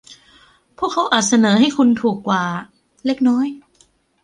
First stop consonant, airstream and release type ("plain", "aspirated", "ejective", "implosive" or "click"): aspirated